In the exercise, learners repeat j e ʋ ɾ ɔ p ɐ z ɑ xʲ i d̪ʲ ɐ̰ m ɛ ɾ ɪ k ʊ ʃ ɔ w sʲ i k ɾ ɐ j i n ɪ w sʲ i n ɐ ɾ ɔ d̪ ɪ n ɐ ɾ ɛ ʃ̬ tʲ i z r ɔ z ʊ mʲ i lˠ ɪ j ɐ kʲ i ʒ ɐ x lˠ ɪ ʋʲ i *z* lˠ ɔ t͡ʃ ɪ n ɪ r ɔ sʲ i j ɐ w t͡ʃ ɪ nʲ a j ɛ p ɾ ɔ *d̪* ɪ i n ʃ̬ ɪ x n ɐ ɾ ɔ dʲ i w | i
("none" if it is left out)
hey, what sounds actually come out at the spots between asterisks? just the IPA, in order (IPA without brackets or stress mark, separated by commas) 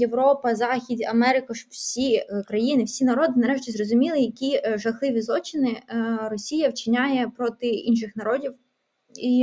z, t̪